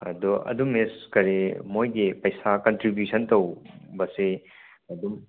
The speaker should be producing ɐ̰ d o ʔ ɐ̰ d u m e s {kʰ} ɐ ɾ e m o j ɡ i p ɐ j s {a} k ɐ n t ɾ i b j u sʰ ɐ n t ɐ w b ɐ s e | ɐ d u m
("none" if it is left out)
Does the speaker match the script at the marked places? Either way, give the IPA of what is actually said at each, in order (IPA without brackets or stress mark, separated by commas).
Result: k, a